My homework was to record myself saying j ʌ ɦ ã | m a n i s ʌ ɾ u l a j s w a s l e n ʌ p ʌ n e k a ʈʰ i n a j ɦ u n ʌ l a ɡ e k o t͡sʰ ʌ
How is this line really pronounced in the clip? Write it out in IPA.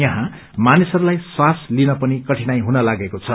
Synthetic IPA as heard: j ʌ ɦ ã | m a n i s ʌ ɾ u l a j s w a s l i n ʌ p ʌ n i k ʌ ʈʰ i n a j ɦ u n ʌ l a ɡ e k o t͡sʰ ʌ